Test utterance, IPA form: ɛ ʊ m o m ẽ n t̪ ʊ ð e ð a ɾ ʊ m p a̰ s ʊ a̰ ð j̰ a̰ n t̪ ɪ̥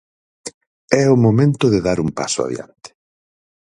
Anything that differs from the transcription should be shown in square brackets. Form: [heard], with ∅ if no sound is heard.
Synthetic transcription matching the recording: ɛ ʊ m o m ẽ n t̪ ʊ ð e ð a ɾ [u] m p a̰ s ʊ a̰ ð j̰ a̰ n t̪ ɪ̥